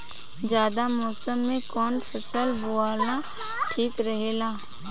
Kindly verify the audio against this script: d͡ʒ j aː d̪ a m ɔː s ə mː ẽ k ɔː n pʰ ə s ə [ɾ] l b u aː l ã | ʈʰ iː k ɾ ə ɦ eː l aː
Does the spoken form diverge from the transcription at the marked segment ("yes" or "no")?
yes